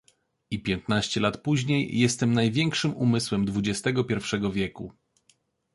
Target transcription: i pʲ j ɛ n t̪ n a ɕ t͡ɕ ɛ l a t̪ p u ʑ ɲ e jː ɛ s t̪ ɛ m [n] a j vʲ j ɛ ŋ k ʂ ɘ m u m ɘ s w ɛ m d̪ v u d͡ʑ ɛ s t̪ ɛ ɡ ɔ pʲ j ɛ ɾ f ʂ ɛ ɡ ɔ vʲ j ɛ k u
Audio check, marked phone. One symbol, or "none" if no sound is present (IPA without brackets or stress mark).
n